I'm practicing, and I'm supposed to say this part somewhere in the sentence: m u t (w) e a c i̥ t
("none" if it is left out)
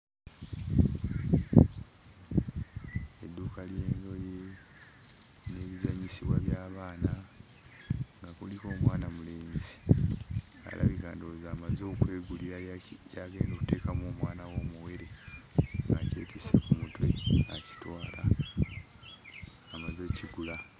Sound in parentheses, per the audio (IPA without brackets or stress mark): w